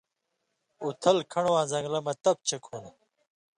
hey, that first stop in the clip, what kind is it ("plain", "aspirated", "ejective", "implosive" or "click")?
aspirated